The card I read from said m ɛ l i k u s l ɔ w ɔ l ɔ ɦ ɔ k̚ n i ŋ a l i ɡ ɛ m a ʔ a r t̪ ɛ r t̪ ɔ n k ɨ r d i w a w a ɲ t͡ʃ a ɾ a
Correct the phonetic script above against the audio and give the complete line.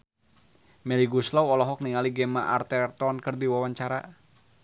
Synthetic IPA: m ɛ l i ɡ u s l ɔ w ɔ l ɔ ɦ ɔ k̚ n i ŋ a l i ɡ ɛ m a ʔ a r t̪ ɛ r t̪ ɔ n k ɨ r d i w a w a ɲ t͡ʃ a ɾ a